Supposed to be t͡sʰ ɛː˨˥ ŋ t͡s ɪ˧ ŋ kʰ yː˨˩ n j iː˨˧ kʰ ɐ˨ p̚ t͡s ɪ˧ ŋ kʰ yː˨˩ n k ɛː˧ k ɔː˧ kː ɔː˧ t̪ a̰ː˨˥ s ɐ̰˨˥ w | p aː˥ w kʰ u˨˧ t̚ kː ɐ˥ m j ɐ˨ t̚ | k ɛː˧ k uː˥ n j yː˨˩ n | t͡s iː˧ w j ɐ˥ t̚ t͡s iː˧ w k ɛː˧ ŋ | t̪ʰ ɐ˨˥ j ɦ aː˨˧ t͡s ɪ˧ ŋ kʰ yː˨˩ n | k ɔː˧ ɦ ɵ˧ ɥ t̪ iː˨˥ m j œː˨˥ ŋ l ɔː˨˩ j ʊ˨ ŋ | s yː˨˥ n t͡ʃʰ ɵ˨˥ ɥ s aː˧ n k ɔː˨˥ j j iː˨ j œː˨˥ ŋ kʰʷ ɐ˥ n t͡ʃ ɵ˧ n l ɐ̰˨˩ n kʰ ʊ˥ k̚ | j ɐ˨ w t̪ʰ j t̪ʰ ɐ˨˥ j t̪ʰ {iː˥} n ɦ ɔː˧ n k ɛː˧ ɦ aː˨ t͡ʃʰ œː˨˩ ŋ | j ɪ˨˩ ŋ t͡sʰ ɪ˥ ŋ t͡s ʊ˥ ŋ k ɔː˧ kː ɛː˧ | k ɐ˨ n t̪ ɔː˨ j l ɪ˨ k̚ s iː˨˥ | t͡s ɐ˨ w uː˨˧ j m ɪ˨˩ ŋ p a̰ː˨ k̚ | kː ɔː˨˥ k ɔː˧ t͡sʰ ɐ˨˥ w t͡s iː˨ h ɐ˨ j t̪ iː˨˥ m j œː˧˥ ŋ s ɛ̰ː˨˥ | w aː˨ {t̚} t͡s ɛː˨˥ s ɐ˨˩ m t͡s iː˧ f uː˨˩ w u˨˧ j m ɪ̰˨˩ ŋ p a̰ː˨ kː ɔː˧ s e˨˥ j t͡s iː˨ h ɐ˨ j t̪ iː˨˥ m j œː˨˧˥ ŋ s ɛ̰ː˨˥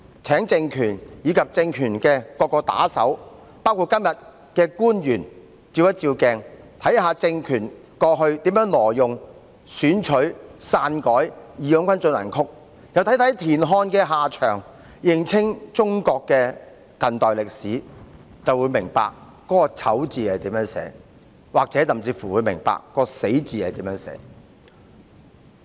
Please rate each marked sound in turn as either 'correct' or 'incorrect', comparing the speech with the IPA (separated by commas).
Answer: incorrect, incorrect